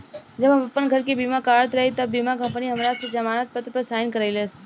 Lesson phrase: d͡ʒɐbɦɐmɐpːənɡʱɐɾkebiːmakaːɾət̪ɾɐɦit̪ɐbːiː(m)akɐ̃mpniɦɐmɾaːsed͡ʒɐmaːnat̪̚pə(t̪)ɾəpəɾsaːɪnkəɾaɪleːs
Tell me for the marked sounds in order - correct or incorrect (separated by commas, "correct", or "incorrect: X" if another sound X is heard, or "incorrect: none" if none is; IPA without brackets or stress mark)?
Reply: correct, correct